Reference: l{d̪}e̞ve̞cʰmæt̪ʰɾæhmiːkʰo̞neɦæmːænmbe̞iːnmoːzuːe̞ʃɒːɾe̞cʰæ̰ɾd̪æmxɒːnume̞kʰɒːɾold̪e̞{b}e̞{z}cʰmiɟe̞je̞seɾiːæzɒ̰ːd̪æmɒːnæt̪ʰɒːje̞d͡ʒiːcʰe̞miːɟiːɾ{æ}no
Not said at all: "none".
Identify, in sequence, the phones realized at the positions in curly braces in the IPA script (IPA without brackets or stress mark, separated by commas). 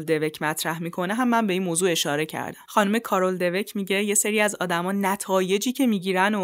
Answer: d̪, v, none, æ